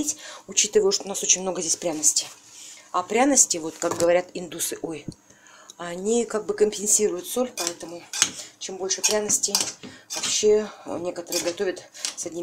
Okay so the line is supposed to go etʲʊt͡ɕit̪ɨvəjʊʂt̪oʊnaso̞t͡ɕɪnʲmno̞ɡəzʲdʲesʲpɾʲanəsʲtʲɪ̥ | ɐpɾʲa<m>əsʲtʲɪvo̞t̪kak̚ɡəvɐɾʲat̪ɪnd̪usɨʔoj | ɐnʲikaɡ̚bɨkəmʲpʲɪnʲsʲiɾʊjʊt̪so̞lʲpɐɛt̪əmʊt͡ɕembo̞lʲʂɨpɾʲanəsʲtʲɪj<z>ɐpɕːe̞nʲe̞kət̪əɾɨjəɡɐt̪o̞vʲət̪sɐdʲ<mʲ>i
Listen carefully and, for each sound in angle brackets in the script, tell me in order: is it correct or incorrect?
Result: incorrect, incorrect, incorrect

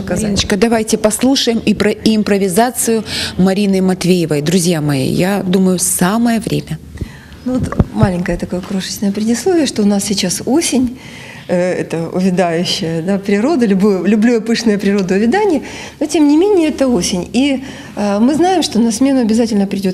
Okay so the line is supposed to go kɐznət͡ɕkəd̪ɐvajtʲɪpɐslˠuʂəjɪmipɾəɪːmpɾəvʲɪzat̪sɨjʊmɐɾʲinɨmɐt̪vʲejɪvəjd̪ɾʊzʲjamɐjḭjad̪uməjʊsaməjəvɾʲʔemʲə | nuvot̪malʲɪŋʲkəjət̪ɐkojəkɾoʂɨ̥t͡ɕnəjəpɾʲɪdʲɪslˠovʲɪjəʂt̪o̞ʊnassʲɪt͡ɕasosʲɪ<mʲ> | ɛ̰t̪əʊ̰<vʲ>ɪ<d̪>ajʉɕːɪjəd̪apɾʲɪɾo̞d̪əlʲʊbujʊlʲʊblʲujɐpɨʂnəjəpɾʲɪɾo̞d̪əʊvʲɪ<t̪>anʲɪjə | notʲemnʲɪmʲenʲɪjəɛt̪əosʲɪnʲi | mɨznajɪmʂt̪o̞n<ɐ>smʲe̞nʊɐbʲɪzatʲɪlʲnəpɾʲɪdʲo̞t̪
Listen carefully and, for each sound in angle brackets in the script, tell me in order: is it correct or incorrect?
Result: incorrect, correct, correct, incorrect, correct

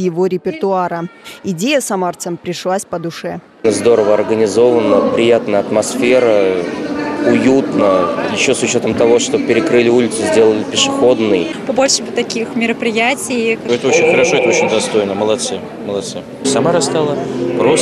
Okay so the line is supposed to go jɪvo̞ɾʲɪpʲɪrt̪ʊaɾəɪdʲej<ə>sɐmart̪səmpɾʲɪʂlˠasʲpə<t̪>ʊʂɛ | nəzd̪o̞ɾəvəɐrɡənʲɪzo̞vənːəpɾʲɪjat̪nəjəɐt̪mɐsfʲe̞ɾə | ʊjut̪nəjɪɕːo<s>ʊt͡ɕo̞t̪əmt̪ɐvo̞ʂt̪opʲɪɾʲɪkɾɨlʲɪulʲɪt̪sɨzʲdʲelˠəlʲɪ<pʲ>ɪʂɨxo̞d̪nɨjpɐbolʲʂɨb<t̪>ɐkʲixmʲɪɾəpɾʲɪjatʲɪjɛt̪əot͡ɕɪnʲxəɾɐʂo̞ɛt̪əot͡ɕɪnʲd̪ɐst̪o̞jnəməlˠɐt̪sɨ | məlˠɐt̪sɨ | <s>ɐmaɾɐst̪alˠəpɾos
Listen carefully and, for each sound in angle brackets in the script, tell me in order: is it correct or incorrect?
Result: correct, incorrect, correct, correct, correct, correct

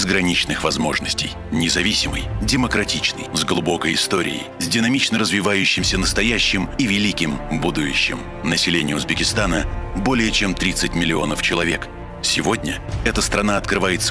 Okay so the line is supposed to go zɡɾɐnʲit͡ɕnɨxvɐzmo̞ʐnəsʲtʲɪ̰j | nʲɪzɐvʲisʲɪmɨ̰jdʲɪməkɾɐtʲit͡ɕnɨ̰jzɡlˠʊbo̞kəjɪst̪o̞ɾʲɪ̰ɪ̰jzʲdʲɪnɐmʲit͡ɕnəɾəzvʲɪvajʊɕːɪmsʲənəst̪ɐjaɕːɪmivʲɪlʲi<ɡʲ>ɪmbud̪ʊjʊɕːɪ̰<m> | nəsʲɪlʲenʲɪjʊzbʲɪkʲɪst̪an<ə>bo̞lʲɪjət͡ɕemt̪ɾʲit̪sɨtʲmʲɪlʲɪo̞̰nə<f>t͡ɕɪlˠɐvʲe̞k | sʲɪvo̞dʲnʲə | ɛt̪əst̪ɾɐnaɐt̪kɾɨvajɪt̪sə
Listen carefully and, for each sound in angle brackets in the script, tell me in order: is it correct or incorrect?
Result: incorrect, correct, correct, correct

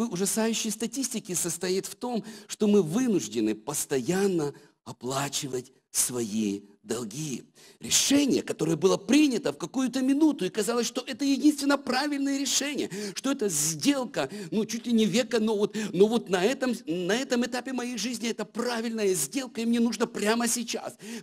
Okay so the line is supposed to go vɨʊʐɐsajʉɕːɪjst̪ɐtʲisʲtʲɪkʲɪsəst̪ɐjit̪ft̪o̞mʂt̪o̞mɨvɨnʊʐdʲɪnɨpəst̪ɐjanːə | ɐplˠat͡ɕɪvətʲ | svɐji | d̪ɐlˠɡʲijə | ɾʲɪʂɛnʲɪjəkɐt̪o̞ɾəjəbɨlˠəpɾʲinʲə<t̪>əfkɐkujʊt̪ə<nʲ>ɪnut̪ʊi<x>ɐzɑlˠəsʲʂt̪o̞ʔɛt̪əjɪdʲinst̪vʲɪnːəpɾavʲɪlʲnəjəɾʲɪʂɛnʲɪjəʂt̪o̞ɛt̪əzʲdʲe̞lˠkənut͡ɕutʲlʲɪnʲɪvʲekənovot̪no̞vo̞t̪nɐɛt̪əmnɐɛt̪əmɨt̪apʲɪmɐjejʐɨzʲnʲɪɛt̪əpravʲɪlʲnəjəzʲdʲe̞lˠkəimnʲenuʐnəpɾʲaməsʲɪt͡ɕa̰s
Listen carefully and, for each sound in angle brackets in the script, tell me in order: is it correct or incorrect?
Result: correct, incorrect, incorrect

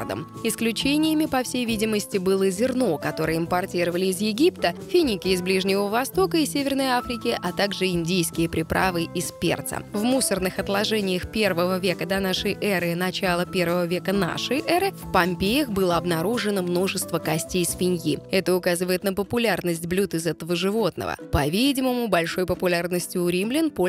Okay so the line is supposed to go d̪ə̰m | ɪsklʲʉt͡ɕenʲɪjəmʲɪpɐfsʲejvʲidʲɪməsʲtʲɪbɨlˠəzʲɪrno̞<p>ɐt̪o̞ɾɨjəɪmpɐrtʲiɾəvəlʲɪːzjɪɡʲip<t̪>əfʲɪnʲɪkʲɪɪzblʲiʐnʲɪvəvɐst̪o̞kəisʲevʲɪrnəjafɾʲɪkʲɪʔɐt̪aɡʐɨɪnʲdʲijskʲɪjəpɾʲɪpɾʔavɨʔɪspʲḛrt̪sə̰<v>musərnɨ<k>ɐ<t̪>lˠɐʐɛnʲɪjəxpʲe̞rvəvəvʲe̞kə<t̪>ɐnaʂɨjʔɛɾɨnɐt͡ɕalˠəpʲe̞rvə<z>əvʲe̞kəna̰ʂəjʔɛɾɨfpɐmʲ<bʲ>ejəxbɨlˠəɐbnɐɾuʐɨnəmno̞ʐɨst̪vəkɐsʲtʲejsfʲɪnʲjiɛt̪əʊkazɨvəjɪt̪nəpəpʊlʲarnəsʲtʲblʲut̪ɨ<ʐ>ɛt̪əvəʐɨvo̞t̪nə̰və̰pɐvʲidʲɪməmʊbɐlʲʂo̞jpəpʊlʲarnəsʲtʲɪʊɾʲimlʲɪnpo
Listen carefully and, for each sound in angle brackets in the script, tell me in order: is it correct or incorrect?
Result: incorrect, correct, correct, incorrect, correct, incorrect, incorrect, incorrect, incorrect

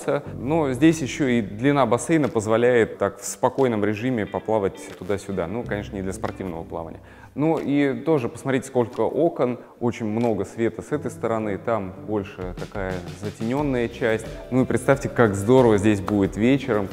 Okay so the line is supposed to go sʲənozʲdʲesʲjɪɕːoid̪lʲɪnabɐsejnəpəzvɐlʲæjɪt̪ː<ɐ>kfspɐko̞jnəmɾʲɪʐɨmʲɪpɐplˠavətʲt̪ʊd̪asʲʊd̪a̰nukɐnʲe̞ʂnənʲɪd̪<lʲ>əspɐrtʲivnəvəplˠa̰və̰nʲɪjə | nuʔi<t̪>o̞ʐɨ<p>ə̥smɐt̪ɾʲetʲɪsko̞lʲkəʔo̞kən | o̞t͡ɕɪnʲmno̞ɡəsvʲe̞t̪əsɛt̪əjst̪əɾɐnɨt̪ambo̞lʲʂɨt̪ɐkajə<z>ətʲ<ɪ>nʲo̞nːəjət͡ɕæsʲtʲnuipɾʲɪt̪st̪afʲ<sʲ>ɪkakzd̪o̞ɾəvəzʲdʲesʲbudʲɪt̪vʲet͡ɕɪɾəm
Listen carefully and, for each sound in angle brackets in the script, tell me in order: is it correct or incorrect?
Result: incorrect, correct, correct, correct, correct, correct, incorrect

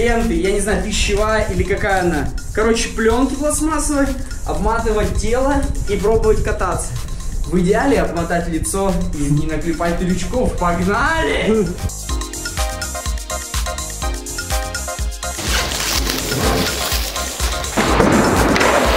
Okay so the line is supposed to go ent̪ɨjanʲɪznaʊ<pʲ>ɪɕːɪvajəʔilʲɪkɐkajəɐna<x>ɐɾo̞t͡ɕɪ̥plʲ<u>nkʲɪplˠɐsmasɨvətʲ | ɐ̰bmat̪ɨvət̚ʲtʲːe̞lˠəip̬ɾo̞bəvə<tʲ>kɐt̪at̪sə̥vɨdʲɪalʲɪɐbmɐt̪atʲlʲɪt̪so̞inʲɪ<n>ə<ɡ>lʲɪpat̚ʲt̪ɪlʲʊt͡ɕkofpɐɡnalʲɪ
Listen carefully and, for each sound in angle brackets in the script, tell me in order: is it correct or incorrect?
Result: correct, incorrect, incorrect, correct, correct, incorrect

